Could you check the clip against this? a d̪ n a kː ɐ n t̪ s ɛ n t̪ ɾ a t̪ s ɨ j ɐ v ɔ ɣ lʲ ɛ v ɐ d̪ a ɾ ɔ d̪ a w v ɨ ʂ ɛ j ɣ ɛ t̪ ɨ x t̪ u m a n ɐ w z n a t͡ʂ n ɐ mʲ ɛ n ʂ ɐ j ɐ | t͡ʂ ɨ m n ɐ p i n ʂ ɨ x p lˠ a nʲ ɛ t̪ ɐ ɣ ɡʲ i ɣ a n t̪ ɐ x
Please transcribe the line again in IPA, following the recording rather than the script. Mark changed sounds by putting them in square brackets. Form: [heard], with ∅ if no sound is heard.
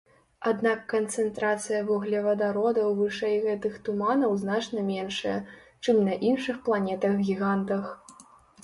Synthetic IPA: a d̪ n a kː ɐ n t̪ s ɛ n t̪ ɾ a t̪ s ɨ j ɐ v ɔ ɣ lʲ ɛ v ɐ d̪ a ɾ ɔ d̪ [ɐ] w v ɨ ʂ ɛ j ɣ ɛ t̪ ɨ x t̪ u m a n ɐ w z n a t͡ʂ n ɐ mʲ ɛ n ʂ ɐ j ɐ | t͡ʂ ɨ m n ɐ [ʔ] i n ʂ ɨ x p lˠ a nʲ ɛ t̪ ɐ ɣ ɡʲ i ɣ a n t̪ ɐ x